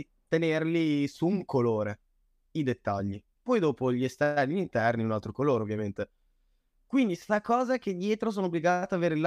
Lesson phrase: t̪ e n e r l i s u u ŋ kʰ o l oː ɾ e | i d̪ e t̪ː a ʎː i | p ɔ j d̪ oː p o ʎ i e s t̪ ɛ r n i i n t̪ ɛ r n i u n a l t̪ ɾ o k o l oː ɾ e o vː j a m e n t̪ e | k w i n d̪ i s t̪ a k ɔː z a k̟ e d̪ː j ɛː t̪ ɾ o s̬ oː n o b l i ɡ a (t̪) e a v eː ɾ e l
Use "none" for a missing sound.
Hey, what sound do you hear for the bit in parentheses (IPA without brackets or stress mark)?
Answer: t̪